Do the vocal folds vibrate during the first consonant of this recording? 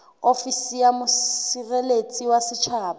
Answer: no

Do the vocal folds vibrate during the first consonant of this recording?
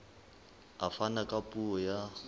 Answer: no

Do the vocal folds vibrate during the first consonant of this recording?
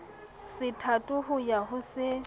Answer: no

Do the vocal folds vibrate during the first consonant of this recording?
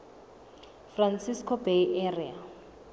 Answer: no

